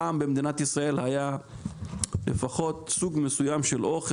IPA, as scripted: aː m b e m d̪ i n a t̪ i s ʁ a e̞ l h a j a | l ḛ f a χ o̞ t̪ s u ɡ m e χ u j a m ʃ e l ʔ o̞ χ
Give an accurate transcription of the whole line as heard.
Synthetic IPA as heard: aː m b e m d̪ i n a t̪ i s ʁ a e̞ l h a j a | l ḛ f a χ o̞ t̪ s u ɡ m e s u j a m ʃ e l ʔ o̞ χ